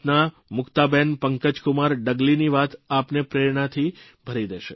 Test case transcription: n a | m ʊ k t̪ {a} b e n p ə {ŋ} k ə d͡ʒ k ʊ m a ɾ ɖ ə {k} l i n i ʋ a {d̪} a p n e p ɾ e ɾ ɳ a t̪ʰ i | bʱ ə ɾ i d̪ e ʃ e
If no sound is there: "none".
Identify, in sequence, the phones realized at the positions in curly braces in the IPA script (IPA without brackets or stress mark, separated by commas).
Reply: a, ŋ, ɡ, t̪